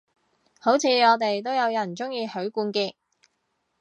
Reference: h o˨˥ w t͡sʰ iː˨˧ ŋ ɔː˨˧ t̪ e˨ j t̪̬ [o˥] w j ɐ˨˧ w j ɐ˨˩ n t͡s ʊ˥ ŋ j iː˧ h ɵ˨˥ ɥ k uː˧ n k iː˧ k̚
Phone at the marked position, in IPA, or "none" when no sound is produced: o˥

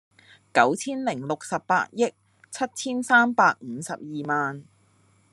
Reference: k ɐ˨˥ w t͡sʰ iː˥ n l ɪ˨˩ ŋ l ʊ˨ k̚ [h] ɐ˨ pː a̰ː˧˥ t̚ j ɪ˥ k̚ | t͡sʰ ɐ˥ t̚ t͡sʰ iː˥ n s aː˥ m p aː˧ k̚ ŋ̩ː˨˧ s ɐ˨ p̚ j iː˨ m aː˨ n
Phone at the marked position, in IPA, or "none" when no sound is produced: s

